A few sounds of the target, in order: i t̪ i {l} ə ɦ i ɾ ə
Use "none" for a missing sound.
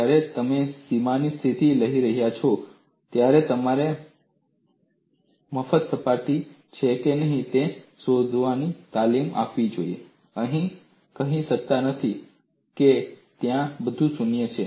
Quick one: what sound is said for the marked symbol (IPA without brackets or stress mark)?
l